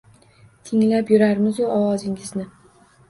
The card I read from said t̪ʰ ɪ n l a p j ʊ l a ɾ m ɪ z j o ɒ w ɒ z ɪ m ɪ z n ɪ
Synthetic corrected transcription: t̪ʰ ɪ ŋ l a p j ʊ ɾ a ɾ m ɪ z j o ɒ w ɒ z ɪ ŋ ɪ z n ɪ